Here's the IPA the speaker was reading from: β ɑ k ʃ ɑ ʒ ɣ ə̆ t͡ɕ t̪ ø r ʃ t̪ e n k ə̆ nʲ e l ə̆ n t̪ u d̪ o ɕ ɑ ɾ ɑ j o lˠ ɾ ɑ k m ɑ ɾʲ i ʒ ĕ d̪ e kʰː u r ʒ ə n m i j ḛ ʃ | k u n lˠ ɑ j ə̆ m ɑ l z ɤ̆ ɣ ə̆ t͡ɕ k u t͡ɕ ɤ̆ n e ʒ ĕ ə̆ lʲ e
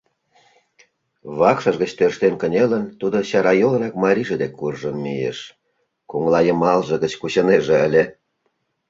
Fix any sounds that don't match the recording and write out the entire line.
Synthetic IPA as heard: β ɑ k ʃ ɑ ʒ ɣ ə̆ t͡ɕ t̪ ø r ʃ t̪ e n k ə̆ nʲ e l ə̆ n t̪ u d̪ o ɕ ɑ ɾ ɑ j o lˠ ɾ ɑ k m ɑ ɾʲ i ʒ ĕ d̪ e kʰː u r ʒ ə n m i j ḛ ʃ | k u ŋ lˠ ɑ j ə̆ m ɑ l ʒ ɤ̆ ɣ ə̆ t͡ɕ k u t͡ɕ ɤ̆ n e ʒ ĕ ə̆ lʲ e